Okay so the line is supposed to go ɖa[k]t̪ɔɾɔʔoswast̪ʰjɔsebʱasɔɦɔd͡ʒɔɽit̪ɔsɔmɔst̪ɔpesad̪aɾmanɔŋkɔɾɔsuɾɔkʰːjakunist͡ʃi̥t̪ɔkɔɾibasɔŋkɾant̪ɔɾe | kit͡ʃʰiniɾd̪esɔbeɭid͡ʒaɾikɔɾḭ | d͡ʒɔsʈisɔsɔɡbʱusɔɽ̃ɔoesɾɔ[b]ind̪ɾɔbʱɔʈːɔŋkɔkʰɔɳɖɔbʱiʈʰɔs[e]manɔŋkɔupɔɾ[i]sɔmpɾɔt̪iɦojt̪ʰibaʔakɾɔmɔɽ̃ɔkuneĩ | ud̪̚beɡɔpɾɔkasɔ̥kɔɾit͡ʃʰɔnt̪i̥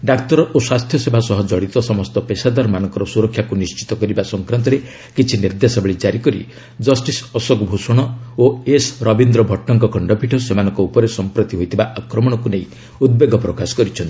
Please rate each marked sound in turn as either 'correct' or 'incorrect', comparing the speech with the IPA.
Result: correct, correct, correct, incorrect: e

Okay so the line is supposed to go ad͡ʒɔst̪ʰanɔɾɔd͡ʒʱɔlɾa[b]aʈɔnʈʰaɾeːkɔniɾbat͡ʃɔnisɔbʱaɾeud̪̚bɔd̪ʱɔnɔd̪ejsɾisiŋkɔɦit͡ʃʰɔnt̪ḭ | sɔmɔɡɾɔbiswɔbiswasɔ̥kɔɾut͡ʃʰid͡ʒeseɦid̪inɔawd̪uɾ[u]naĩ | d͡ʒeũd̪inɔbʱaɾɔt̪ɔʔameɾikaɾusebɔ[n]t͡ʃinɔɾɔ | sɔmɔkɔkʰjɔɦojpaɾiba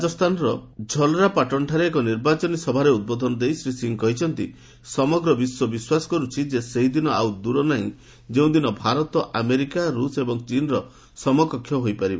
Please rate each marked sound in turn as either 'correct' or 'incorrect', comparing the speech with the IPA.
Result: incorrect: p, incorrect: ɔ, incorrect: ŋ

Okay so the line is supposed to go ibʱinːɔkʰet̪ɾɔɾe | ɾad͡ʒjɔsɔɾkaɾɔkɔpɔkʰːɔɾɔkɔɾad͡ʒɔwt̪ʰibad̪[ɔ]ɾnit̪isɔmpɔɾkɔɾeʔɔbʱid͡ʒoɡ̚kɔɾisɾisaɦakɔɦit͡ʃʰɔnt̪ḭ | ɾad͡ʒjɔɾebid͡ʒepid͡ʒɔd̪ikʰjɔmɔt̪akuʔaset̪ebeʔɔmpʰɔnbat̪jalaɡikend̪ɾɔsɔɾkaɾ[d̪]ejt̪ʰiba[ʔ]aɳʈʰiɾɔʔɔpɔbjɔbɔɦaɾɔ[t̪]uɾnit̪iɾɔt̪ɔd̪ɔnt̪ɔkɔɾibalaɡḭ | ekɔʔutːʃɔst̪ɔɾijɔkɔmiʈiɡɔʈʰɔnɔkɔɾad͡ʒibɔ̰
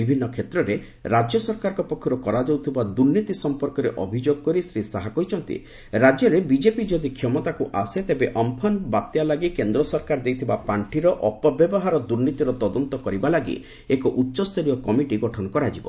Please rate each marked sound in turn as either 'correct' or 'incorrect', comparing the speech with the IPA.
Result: incorrect: u, correct, incorrect: p, incorrect: d̪

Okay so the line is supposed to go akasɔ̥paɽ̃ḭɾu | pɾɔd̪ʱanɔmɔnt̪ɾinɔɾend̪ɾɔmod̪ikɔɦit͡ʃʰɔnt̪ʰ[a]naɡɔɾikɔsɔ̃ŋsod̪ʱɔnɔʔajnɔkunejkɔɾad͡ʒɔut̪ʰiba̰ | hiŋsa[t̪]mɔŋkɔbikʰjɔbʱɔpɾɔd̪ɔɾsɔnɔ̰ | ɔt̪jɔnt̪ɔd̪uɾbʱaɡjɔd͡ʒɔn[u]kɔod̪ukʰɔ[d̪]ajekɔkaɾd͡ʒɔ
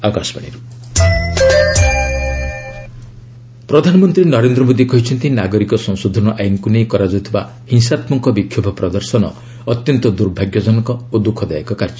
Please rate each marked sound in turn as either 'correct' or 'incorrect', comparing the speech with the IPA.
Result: incorrect: i, correct, incorrect: ɔ, correct

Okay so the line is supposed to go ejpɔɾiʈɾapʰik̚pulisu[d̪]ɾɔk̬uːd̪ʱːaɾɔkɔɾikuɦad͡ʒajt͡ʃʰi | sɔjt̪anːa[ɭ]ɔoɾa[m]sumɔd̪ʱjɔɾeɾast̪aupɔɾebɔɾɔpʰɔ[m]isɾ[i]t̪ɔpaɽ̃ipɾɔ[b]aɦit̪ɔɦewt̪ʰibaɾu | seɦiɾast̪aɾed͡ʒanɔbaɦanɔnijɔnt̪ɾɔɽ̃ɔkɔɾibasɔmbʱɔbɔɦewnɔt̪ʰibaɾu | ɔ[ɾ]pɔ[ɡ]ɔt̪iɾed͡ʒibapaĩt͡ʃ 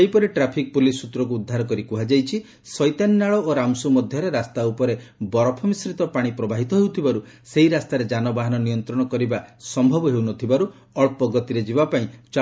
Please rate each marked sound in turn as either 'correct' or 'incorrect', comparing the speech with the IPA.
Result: incorrect: t̪, correct, correct, correct, correct, correct, incorrect: ɭ, correct

